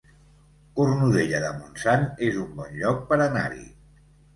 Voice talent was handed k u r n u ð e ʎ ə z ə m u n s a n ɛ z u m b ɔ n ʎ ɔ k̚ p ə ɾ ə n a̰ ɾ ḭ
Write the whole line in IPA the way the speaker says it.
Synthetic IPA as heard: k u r n u ð e ʎ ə ð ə m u n s a n e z u m b ɔ n ʎ ɔ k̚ p ə ɾ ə n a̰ ɾ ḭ